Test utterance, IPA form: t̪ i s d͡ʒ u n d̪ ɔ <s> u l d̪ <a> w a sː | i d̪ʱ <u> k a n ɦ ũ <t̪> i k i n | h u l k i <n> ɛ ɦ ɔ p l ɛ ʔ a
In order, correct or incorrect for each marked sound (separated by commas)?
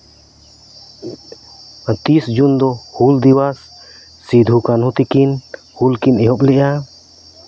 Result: incorrect, incorrect, correct, correct, correct